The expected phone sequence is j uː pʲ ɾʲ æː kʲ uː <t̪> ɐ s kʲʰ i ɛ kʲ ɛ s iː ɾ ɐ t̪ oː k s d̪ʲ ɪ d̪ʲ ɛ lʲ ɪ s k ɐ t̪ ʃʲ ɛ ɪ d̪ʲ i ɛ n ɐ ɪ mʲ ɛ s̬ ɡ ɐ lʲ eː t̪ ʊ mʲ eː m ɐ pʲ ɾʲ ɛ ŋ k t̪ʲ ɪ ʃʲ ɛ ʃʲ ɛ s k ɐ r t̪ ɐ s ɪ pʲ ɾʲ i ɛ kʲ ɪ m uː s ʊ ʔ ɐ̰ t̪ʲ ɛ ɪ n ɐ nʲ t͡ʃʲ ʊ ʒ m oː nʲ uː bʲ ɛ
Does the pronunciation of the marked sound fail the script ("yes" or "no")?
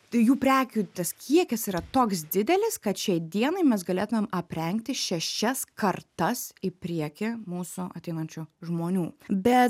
no